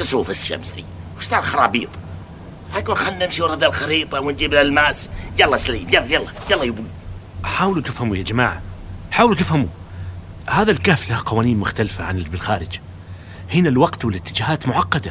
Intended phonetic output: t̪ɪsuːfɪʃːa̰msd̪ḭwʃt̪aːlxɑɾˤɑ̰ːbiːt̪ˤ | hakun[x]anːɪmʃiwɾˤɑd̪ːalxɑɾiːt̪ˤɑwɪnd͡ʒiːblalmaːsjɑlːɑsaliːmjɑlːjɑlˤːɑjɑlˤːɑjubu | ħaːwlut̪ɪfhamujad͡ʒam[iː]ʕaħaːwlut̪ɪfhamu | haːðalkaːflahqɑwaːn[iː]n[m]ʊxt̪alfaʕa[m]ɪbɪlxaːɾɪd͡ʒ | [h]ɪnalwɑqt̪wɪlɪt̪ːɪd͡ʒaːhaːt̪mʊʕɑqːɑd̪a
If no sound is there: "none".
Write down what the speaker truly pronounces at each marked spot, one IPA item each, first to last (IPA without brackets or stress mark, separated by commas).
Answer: x, aː, iː, m, n, h